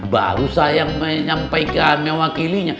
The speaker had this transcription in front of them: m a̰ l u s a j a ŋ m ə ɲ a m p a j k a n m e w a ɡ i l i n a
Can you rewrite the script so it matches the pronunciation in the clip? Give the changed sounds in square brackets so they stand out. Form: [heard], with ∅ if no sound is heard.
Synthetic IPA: [b] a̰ [ɾ] u s a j a ŋ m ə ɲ a m p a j k a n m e w a [k] i l i [ɲ] a